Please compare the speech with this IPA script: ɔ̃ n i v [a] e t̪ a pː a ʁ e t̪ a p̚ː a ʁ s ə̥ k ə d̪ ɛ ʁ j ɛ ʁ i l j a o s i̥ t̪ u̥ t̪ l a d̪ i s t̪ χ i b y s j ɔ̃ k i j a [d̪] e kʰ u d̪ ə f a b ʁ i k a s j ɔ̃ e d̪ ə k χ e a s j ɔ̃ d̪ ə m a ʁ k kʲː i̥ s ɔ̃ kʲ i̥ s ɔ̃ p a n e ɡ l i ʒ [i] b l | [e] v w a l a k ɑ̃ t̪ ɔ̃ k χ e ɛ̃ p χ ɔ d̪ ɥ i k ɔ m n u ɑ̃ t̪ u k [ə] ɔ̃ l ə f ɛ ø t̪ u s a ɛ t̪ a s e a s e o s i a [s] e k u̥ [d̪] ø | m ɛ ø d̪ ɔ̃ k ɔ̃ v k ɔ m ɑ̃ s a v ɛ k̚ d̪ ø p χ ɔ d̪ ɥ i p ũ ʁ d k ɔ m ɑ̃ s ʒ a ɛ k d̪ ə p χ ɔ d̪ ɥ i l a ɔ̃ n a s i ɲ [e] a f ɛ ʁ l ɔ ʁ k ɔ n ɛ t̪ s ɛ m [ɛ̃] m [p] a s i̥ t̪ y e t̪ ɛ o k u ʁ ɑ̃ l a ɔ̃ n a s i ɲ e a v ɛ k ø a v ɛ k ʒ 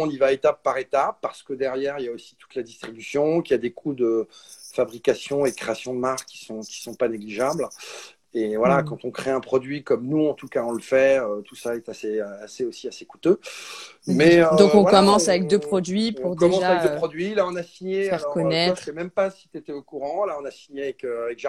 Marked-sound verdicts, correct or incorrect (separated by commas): correct, correct, incorrect, correct, incorrect, correct, incorrect, correct, incorrect, correct